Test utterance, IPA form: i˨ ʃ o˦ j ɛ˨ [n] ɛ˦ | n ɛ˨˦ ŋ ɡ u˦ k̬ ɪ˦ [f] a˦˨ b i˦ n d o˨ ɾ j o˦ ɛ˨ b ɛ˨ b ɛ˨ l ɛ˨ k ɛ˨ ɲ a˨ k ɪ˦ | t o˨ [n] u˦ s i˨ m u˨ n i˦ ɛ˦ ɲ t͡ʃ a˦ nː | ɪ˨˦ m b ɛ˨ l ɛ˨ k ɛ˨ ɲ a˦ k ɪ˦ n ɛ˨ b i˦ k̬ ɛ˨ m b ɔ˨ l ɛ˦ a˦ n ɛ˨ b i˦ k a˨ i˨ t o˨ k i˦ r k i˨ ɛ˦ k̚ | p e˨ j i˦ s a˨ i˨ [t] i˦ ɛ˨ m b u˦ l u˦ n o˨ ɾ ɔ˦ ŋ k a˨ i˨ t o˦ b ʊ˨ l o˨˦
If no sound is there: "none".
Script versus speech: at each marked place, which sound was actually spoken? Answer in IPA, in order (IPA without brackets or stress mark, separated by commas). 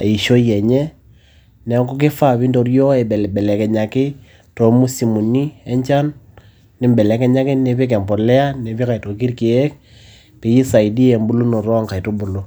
ɲ, f, m, d